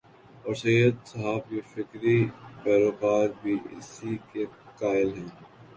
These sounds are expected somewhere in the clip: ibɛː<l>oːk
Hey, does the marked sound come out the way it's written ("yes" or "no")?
no